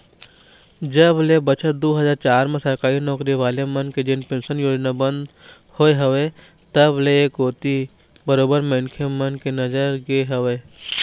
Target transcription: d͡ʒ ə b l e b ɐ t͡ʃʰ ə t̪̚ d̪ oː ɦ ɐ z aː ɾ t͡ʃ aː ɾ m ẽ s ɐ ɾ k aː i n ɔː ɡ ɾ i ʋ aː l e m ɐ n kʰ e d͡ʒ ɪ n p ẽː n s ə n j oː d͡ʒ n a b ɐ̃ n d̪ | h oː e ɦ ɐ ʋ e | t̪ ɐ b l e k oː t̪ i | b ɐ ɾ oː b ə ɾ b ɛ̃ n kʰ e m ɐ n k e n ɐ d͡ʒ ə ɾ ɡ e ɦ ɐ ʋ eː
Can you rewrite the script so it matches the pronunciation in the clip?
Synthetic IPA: d͡ʒ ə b l e b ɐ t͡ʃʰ ə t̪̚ d̪ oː ɦ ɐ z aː ɾ t͡ʃ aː ɾ m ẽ s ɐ ɾ k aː i n ɔː k ɾ i ʋ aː l e m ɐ n k e d͡ʒ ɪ n p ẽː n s ə n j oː d͡ʒ n a b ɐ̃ n d̪ | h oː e ɦ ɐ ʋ e | t̪ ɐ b l e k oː t̪ i | b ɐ ɾ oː b ə ɾ m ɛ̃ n kʰ e m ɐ n k e n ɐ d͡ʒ ə ɾ ɡ e ɦ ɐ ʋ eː